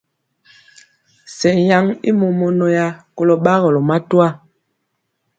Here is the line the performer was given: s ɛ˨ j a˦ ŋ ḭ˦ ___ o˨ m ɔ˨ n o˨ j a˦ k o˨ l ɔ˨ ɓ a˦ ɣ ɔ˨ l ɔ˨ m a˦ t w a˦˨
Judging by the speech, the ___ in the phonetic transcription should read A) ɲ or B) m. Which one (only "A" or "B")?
B